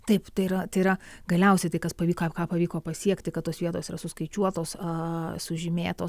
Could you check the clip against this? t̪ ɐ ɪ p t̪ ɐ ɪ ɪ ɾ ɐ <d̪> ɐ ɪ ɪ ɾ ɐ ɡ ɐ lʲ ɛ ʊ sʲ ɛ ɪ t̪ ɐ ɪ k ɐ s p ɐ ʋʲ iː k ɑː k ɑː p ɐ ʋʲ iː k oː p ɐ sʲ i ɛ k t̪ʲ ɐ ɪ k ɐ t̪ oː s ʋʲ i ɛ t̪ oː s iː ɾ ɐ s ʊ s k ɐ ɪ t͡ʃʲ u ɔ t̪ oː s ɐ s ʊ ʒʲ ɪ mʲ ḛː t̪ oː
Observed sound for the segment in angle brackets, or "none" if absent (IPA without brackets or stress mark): t̪